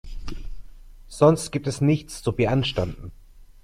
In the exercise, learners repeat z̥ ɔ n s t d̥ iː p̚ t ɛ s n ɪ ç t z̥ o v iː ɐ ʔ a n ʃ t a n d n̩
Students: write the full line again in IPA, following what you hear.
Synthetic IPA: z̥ ɔ n s t ɡ̥ iː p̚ t ɛ s n ɪ ç t͡s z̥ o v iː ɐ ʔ a n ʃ t a n d n̩